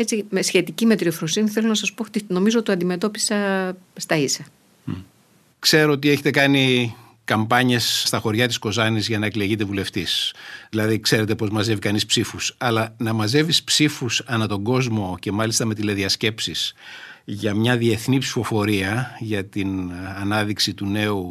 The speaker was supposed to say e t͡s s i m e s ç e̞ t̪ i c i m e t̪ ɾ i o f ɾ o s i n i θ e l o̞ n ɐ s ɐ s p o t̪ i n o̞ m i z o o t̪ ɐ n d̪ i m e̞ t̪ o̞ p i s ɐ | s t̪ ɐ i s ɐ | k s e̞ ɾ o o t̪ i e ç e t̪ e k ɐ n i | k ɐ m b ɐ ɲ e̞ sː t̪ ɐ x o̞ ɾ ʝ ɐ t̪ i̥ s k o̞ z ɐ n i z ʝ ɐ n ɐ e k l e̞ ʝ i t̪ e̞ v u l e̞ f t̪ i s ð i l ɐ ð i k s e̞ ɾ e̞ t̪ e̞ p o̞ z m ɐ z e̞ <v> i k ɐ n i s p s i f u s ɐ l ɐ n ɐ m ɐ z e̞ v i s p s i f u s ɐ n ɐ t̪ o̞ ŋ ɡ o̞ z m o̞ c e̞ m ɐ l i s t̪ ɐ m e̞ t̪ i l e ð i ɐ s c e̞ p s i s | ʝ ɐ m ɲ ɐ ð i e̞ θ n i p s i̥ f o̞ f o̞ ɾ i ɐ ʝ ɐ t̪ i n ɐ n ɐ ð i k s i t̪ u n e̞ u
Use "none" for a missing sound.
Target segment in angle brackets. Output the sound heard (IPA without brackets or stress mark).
v